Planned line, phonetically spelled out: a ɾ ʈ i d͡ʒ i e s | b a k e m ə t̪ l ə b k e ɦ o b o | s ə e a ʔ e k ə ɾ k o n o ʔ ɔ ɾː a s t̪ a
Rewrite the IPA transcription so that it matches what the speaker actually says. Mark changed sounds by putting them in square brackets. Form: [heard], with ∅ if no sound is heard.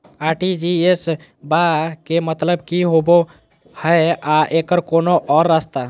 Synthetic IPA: a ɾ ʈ i d͡ʒ i e s | b a k e m ə t̪ l ə b k [i] ɦ o b o | [h] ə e a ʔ e k ə ɾ k o n o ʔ ɔ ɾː a s t̪ a

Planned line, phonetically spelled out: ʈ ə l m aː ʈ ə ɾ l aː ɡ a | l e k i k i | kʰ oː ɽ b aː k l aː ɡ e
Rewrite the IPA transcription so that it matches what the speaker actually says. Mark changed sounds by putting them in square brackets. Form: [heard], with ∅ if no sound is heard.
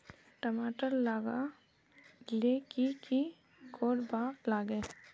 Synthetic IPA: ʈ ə [∅] m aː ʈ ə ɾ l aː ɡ a | l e k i k i | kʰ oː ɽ b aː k l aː ɡ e

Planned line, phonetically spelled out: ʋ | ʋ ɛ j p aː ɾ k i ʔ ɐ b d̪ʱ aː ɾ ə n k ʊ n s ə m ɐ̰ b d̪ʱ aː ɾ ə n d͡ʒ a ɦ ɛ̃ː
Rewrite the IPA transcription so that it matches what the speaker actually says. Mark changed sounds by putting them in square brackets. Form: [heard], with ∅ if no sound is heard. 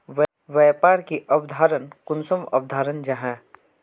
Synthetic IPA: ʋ | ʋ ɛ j p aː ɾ k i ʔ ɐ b d̪ʱ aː ɾ ə n k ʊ n s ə m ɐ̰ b d̪ʱ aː ɾ ə n d͡ʒ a ɦ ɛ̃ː

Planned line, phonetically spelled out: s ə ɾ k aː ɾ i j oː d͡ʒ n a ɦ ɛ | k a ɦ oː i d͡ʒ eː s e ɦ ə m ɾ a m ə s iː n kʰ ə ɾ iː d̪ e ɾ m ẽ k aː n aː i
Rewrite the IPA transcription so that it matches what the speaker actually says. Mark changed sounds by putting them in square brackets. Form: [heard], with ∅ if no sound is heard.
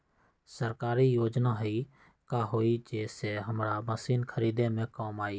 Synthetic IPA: s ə ɾ k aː ɾ i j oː d͡ʒ n a ɦ [i] | k a ɦ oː i d͡ʒ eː s e ɦ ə m ɾ a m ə s iː n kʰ ə ɾ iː d̪ e [∅] m ẽ k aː [m] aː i

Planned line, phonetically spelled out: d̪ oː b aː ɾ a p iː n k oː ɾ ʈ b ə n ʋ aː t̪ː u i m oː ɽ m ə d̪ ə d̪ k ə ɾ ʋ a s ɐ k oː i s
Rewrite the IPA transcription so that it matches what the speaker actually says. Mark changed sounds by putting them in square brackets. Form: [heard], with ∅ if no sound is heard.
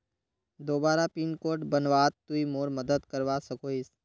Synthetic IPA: d̪ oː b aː ɾ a p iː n k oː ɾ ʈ b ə n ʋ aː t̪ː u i m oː [ɾ] m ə d̪ ə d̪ k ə ɾ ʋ a s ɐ k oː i s

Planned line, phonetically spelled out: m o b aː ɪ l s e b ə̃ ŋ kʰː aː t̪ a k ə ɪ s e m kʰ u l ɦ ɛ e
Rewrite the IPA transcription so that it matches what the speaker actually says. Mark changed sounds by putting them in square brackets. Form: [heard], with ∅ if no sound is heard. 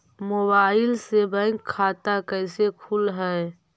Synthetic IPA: m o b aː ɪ l s e b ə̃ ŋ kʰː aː t̪ a k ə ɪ s e [∅] kʰ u l ɦ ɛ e

